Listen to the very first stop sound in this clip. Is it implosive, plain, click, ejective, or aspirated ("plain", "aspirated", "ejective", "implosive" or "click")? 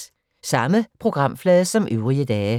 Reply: aspirated